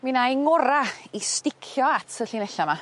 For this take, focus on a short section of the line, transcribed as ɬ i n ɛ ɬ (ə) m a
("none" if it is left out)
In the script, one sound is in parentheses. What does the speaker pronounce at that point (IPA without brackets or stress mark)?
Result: a